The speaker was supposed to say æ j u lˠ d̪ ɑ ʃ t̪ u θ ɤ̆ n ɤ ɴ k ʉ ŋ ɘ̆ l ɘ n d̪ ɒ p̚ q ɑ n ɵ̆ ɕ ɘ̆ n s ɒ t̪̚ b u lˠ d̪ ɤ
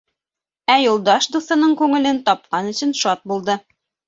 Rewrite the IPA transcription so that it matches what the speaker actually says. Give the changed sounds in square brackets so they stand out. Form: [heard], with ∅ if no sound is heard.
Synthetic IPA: æ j u lˠ d̪ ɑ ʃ [d̪] u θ ɤ̆ n ɤ ɴ k ʉ ŋ ɘ̆ l ɘ n [t̪] ɒ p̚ q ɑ n ɵ̆ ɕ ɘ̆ n [ʃ] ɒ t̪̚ b u lˠ d̪ ɤ